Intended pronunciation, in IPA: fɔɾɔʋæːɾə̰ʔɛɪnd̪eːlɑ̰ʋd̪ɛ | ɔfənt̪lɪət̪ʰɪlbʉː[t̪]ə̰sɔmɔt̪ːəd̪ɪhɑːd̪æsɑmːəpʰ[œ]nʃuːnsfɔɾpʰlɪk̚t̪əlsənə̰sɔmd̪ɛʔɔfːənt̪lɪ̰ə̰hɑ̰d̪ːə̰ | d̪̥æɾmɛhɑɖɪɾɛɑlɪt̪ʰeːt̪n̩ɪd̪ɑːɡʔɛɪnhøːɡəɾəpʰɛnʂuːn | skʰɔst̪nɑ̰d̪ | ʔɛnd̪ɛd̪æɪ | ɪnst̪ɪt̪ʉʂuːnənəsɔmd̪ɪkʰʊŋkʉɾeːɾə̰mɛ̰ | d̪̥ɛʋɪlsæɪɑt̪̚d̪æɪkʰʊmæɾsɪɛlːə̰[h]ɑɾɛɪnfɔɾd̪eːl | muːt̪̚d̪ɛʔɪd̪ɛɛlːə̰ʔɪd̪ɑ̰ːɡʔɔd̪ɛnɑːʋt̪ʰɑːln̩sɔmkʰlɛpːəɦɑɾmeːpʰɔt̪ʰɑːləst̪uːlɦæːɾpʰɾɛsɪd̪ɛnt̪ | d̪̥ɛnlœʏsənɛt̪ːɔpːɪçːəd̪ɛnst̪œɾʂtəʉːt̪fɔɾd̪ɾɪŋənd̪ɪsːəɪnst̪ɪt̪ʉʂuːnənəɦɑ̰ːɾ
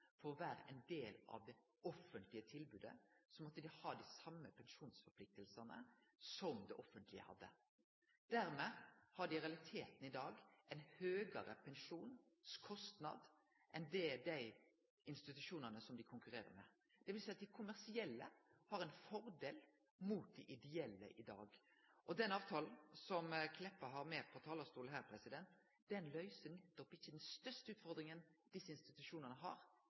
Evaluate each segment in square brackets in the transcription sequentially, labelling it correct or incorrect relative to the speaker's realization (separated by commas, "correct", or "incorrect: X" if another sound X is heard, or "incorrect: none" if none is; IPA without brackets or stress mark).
incorrect: d̪, incorrect: ɛ, correct